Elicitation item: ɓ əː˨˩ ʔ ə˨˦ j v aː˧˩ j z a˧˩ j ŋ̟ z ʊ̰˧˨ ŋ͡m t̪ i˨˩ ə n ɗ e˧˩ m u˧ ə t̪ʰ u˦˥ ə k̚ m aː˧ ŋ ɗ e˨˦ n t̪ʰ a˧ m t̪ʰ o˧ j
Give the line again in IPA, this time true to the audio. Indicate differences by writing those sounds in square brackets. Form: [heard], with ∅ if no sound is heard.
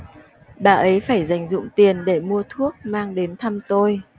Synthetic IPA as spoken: ɓ [aː˨˩] ʔ ə˨˦ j [f] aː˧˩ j z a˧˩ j ŋ̟ z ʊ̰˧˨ ŋ͡m t̪ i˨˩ ə n ɗ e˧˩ m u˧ ə t̪ʰ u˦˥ ə k̚ m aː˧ ŋ ɗ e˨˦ n t̪ʰ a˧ m [t̪] o˧ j